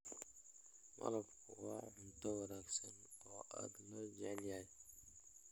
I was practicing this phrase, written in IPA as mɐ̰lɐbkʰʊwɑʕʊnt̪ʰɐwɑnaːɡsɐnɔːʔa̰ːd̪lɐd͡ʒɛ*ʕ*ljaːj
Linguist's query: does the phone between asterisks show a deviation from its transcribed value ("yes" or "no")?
no